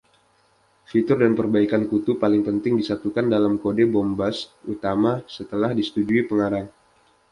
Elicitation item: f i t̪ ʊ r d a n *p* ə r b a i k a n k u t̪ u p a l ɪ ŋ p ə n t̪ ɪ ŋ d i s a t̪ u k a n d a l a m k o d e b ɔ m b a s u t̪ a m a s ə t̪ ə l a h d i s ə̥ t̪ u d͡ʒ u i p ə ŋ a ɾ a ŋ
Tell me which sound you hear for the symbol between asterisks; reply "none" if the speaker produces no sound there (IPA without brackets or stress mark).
p